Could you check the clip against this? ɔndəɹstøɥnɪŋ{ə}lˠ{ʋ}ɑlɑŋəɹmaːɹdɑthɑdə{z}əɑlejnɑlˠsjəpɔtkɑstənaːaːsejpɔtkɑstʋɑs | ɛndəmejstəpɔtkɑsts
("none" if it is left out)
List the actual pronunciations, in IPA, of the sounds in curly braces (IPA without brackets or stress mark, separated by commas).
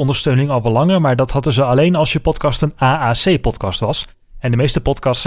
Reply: ɑ, ʋ, z